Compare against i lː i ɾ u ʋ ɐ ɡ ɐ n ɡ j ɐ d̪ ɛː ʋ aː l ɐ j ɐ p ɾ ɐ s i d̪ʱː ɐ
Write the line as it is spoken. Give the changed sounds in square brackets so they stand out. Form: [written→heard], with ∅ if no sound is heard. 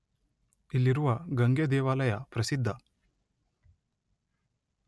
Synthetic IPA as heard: i lː i ɾ u ʋ ɐ ɡ ɐ [n→ŋ] ɡ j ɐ d̪ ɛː ʋ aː l ɐ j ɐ p ɾ ɐ s i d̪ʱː ɐ